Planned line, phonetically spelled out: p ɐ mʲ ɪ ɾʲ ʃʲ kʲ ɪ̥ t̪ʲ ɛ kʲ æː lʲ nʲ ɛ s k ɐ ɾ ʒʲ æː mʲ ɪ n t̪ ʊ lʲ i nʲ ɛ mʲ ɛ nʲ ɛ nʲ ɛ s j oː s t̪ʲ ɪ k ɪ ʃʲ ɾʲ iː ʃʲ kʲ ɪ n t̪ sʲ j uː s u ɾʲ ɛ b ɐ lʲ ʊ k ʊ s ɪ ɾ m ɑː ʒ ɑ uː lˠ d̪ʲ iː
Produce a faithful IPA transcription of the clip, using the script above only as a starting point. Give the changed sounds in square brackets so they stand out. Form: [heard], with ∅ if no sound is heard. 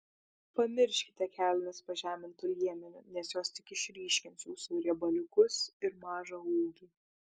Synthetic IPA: p ɐ mʲ ɪ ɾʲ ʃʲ kʲ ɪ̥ t̪ʲ ɛ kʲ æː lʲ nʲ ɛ s [p] ɐ [∅] ʒʲ æː mʲ ɪ n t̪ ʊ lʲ i [∅] ɛ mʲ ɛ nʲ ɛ nʲ ɛ s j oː s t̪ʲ ɪ k ɪ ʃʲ ɾʲ iː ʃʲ kʲ ɪ n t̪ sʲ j uː s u ɾʲ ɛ b ɐ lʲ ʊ k ʊ s ɪ ɾ m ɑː ʒ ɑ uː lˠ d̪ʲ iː